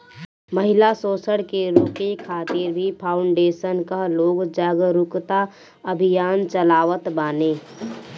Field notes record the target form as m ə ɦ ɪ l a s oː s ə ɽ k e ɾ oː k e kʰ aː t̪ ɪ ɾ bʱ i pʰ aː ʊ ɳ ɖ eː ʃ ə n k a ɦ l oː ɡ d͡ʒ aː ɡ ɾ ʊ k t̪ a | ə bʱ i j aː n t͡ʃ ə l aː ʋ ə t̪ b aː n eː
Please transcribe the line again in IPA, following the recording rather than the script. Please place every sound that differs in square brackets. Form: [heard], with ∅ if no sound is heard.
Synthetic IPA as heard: m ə ɦ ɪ l a s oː s ə ɽ k e ɾ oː k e kʰ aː t̪ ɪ ɾ bʱ i pʰ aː ʊ ɳ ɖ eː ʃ ə n k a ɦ l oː ɡ d͡ʒ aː ɡ ɾ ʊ k t̪ a | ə bʱ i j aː n t͡ʃ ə l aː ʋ ə t̪ b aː n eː

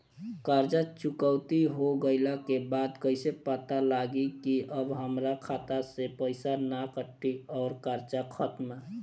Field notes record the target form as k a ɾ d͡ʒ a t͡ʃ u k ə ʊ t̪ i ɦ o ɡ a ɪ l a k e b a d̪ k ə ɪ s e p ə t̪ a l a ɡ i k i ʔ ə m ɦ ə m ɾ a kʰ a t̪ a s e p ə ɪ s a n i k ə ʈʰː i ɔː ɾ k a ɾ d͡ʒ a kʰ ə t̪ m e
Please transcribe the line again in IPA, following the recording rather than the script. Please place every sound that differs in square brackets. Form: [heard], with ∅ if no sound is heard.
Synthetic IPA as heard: k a ɾ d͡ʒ a t͡ʃ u k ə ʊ t̪ i ɦ o ɡ [ə] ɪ l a k e b a d̪ k ə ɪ s e p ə t̪ a l a ɡ i k i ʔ ə [b] ɦ ə m ɾ a kʰ a t̪ a s e p ə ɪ s a n [a] k ə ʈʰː i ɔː ɾ k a ɾ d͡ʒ a kʰ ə t̪ m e

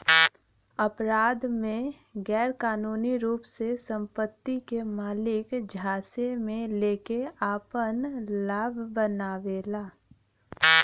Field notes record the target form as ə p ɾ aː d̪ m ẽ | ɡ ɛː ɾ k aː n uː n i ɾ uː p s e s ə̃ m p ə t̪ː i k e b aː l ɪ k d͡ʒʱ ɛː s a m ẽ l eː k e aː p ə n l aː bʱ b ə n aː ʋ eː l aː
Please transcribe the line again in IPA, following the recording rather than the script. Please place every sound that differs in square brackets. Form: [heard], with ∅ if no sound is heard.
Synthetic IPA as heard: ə p ɾ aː d̪ m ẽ | ɡ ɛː ɾ k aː n uː n i ɾ uː p s e s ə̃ m p ə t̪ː i k e [m] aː l ɪ k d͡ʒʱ [aː] s [e] m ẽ l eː k e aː p ə n l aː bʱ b ə n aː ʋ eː l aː

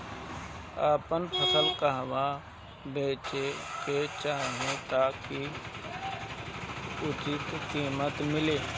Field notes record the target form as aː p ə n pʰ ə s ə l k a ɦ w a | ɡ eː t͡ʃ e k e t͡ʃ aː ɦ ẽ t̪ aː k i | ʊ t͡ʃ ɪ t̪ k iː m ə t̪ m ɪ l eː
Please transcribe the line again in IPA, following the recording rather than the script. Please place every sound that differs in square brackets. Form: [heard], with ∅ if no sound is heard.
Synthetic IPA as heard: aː p ə n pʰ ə s ə l k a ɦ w a | [b] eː t͡ʃ e k e t͡ʃ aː ɦ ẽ t̪ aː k i | ʊ t͡ʃ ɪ t̪ k iː m ə t̪ m ɪ l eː

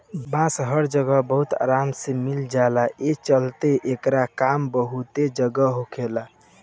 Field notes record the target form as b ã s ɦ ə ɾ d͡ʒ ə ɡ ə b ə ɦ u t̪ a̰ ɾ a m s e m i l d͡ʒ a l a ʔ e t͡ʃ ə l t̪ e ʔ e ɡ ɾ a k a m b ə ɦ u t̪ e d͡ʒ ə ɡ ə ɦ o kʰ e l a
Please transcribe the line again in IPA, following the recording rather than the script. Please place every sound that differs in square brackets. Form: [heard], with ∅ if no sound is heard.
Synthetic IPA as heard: b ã s ɦ ə ɾ d͡ʒ ə ɡ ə b ə ɦ u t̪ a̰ ɾ a m s e m i l d͡ʒ a l a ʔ e t͡ʃ ə l t̪ e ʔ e [k] ɾ a k a m b ə ɦ u t̪ e d͡ʒ ə ɡ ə ɦ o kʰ e l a

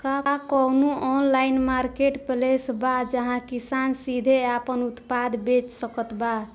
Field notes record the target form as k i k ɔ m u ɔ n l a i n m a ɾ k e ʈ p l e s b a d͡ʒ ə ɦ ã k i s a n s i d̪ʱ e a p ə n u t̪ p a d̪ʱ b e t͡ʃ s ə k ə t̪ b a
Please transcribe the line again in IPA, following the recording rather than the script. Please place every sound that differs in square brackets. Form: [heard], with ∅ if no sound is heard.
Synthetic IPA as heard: k [a] k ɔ [n] u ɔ n l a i n m a ɾ k e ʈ p l e s b a d͡ʒ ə ɦ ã k i s a n s i d̪ʱ e a p ə n u t̪ p a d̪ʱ b e t͡ʃ s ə k ə t̪ b a

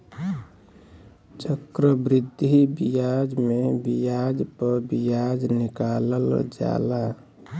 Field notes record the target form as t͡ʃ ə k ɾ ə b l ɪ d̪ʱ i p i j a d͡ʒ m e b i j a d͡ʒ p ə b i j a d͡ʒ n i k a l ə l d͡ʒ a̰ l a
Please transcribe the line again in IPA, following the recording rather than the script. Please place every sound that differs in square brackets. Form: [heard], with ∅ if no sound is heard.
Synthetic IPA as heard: t͡ʃ ə k ɾ ə b [ɾ] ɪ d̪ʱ i [b] i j a d͡ʒ m e b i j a d͡ʒ p ə b i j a d͡ʒ n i k a l ə l d͡ʒ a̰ l a

